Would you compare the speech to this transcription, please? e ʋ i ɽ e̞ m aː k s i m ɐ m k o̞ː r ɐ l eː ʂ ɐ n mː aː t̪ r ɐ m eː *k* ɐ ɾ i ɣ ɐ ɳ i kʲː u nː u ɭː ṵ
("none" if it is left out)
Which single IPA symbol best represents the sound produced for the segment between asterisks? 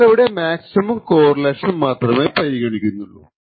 p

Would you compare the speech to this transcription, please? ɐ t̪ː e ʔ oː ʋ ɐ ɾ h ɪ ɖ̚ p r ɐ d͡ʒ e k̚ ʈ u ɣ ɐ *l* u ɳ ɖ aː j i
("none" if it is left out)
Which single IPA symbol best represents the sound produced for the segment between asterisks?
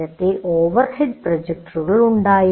ɭ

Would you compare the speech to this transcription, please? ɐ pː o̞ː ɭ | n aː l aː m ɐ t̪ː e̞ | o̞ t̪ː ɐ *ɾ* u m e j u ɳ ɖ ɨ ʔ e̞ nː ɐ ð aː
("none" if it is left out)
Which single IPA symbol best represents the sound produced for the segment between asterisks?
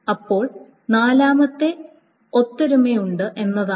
ɾ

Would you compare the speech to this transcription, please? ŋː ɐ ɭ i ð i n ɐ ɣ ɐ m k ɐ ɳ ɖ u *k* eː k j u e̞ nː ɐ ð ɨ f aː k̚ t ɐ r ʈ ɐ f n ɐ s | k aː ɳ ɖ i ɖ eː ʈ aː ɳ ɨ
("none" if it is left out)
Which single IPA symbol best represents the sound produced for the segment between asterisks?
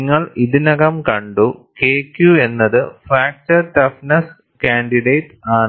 k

